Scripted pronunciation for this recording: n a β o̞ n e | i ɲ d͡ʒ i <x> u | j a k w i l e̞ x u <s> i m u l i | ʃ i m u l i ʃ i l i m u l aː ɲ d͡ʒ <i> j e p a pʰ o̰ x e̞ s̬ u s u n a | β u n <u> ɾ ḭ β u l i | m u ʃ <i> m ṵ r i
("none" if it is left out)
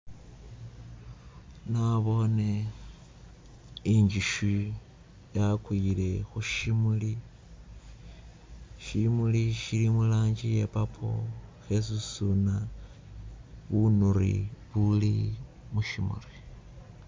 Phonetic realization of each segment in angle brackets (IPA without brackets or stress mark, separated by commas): ʃ, ʃ, i, u, i